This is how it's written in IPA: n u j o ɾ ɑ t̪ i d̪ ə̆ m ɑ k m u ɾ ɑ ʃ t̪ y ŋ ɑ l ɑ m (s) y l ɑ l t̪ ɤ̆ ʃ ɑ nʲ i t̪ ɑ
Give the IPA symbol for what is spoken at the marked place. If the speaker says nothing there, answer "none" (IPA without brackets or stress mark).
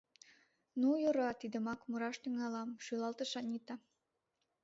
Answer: ʃ